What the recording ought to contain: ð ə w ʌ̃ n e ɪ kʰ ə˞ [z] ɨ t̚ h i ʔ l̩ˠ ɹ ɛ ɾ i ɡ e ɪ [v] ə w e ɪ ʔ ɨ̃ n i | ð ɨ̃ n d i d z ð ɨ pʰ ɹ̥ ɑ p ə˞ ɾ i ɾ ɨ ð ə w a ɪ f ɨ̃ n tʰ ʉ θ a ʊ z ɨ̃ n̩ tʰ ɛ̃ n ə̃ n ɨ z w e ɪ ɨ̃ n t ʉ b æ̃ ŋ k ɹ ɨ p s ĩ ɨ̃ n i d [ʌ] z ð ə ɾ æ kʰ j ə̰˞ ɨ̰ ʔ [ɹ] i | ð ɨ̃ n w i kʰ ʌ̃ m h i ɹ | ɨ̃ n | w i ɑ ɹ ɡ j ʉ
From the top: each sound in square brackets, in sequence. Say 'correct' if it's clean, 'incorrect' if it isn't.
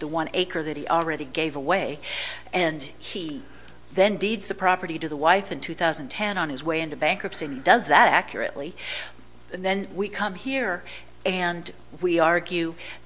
incorrect: ð, correct, correct, incorrect: l

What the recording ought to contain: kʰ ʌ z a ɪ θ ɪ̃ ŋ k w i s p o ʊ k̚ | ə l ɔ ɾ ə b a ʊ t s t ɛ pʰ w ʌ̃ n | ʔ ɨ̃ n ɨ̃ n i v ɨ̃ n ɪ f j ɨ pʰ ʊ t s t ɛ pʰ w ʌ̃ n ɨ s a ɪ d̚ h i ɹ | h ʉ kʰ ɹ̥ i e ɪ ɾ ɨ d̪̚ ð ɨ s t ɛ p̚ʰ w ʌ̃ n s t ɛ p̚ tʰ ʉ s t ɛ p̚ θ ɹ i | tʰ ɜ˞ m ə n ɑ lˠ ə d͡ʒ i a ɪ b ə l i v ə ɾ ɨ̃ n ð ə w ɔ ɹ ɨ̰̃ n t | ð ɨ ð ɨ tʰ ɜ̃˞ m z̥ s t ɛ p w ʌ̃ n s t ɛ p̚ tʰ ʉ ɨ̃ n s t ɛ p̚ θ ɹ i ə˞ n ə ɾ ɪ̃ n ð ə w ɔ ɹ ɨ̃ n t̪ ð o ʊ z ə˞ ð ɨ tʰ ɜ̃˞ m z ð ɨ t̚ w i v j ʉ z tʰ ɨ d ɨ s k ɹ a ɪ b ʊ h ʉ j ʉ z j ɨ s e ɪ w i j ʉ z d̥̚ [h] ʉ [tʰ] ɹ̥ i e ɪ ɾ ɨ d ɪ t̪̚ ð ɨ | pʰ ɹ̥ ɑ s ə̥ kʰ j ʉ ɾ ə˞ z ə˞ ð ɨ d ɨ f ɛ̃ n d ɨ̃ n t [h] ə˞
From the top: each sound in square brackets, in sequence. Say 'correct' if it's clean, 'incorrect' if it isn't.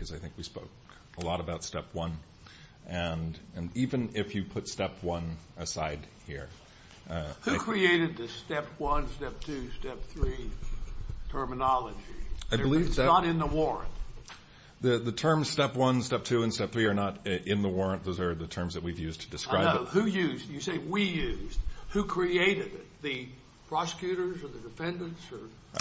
correct, incorrect: kʰ, incorrect: s

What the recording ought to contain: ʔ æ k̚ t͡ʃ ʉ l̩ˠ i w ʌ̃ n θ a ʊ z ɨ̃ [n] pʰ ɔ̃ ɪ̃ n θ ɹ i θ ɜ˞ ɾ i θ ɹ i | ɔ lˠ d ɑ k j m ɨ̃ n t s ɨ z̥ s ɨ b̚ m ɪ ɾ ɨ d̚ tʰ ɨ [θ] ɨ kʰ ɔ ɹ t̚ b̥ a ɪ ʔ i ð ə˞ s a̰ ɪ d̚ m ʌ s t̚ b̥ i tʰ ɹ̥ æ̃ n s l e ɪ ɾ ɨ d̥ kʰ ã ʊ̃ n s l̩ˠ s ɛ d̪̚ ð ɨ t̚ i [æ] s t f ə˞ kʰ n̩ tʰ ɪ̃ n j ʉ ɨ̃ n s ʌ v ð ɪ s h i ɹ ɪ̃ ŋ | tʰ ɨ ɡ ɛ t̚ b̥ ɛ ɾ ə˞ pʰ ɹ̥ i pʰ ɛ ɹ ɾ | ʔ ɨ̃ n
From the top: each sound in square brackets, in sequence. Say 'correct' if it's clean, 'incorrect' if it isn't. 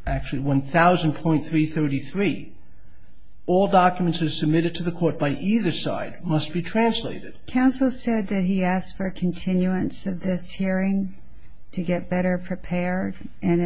correct, incorrect: ð, correct

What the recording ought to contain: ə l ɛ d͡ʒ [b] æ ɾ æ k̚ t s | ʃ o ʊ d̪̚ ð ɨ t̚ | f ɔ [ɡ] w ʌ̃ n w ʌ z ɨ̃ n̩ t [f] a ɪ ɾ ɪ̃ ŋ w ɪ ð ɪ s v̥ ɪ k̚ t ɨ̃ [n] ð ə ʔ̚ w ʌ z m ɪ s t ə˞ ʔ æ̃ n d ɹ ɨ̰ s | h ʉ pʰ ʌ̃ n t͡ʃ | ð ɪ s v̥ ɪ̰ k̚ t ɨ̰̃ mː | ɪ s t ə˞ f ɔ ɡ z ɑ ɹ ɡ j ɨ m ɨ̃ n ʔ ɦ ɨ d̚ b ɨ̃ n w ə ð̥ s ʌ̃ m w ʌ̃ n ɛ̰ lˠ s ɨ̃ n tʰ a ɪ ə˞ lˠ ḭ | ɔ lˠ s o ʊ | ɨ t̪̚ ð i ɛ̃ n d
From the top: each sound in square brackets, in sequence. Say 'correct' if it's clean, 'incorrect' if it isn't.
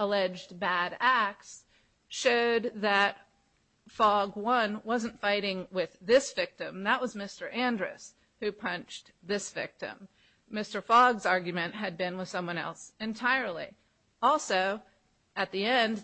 correct, correct, correct, incorrect: m

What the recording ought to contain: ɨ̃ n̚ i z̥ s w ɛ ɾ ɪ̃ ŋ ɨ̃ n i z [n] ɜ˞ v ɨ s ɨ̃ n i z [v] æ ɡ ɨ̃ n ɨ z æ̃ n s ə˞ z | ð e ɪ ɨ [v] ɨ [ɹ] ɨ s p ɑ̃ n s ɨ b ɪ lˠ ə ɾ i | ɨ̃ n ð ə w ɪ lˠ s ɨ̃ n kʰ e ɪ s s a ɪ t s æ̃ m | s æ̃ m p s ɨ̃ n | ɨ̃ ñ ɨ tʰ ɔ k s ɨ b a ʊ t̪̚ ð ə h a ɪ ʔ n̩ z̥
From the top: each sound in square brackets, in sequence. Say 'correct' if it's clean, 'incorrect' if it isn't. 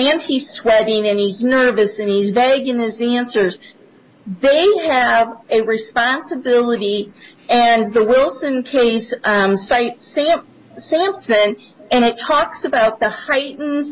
correct, correct, correct, correct

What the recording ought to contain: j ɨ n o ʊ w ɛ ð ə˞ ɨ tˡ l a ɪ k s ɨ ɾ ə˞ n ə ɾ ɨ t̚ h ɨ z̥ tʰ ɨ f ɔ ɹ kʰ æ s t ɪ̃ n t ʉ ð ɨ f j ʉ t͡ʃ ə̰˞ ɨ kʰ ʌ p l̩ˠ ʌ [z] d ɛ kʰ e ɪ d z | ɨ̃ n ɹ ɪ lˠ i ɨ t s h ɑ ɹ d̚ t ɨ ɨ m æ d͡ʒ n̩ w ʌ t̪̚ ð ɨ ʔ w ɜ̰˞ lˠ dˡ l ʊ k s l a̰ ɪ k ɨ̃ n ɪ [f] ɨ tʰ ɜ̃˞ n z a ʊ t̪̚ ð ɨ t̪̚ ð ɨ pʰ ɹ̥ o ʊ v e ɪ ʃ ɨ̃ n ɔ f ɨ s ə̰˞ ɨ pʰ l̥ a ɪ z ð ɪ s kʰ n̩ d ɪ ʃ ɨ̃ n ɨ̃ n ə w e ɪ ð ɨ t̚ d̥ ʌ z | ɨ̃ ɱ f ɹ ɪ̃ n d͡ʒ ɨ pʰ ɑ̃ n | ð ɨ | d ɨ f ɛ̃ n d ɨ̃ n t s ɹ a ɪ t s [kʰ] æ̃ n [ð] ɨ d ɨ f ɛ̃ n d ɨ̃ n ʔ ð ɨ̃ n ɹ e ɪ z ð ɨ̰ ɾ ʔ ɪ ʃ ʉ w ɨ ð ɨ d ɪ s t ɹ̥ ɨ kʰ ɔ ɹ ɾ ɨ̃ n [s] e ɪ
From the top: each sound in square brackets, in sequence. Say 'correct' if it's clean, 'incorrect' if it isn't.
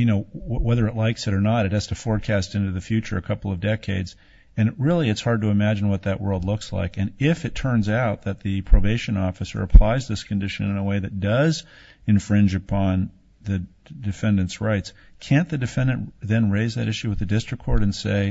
incorrect: v, correct, correct, correct, correct

